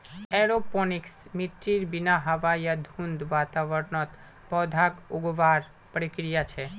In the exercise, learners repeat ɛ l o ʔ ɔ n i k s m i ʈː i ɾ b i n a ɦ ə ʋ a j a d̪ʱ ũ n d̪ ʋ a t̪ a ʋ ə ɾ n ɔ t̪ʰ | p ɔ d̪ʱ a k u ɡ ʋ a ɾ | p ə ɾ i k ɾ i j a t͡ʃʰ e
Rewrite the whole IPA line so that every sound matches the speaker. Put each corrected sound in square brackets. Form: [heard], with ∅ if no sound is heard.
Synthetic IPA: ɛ [ɾ] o [p] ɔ n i k s m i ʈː i ɾ b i n a ɦ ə ʋ a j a d̪ʱ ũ n d̪ ʋ a t̪ a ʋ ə ɾ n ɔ [t̪] | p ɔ d̪ʱ a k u ɡ ʋ a ɾ | p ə ɾ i k ɾ i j a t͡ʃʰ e